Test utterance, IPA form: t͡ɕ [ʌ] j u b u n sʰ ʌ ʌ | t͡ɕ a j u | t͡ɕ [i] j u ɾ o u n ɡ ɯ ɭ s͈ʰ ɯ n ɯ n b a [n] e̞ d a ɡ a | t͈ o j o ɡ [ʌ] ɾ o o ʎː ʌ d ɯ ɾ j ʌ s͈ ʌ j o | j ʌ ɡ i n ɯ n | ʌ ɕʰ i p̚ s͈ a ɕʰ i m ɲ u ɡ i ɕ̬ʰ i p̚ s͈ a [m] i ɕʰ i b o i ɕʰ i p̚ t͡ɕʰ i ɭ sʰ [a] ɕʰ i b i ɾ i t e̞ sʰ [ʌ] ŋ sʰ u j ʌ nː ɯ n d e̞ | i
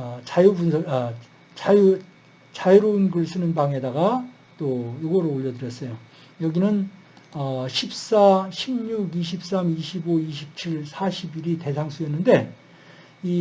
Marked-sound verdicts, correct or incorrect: incorrect: a, incorrect: a, incorrect: ŋ, correct, correct, correct, incorrect: a

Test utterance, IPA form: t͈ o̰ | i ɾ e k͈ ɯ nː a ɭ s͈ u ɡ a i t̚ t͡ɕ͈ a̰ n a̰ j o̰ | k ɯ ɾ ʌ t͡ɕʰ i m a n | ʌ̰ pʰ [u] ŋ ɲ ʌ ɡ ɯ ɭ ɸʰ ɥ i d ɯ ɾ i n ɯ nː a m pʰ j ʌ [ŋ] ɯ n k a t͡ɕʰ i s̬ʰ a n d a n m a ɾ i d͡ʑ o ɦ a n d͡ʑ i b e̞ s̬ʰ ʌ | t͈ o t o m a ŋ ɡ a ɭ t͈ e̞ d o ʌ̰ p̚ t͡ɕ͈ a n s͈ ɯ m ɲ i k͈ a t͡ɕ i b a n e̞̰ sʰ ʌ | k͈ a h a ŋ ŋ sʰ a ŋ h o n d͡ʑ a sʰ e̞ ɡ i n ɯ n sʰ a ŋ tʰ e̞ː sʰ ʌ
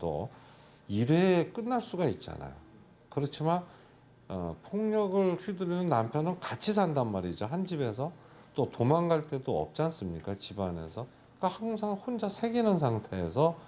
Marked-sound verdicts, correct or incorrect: incorrect: o, incorrect: n

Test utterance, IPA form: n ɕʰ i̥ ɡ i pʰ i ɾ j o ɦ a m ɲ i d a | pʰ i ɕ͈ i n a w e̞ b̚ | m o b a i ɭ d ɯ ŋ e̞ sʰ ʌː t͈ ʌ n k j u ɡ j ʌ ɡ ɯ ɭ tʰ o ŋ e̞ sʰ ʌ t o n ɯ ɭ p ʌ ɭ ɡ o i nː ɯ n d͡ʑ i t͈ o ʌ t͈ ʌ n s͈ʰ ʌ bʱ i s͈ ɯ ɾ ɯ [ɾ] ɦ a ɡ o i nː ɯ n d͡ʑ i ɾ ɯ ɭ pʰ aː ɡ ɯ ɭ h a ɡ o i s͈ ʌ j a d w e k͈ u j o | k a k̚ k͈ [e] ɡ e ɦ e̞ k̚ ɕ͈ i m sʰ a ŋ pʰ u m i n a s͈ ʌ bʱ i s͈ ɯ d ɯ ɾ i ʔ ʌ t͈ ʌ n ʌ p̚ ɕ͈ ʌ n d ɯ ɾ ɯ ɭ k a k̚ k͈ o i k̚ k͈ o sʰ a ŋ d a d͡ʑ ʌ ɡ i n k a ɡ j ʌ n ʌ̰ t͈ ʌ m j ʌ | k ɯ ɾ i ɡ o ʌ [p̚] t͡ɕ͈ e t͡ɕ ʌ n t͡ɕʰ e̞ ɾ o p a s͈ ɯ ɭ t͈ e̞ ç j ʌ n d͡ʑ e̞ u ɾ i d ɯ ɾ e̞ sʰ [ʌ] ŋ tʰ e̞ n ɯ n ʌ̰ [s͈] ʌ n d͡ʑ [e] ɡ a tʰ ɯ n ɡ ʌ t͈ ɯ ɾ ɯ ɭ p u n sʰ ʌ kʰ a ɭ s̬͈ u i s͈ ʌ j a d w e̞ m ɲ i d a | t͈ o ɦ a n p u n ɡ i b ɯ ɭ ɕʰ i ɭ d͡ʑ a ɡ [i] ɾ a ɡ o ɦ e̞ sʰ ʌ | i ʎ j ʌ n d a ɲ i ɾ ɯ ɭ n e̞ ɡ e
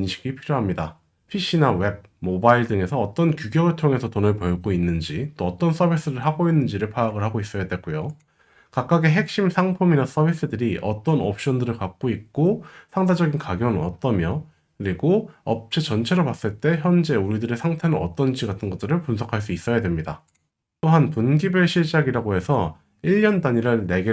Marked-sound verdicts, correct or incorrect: incorrect: ɭ, incorrect: a, correct, incorrect: a, incorrect: t͈, incorrect: i, correct

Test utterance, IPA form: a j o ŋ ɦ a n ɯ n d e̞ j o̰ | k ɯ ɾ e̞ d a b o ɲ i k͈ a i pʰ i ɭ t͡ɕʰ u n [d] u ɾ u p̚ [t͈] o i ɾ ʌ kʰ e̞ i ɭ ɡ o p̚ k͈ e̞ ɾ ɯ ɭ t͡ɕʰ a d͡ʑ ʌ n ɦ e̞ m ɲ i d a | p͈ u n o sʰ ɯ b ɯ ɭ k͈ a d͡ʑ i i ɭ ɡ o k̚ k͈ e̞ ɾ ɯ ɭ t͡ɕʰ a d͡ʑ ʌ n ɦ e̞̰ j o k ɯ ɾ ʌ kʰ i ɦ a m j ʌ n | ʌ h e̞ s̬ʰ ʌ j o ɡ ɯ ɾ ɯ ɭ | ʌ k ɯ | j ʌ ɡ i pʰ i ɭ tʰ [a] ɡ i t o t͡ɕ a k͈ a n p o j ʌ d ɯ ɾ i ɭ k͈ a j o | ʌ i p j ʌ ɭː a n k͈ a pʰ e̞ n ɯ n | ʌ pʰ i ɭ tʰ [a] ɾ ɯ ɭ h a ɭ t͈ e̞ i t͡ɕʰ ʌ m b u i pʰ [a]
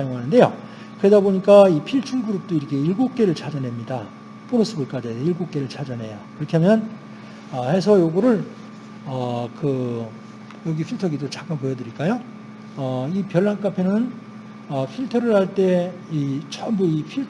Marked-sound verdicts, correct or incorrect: incorrect: ɡ, correct, incorrect: ʌ, incorrect: ʌ, incorrect: i

